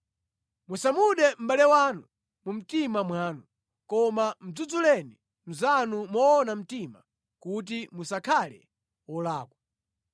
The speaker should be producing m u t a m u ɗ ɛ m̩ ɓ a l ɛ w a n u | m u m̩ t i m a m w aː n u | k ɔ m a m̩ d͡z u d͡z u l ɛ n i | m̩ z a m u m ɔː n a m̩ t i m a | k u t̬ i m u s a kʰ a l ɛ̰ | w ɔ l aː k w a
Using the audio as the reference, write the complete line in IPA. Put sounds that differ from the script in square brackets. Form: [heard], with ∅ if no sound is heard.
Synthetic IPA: m u [s] a m u ɗ ɛ m̩ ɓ a l ɛ w a n u | m u m̩ t i m a m w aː n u | k ɔ m a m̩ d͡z u d͡z u l ɛ n i | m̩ z a [n] u m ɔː n a m̩ t i m a | k u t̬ i m u s a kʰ a l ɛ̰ | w ɔ l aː k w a